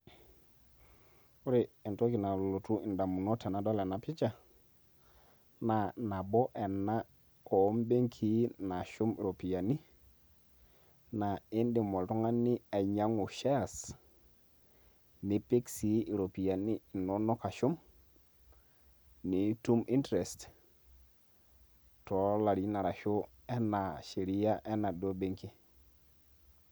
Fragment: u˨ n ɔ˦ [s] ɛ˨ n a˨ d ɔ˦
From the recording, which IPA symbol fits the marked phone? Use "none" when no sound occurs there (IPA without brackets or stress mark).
t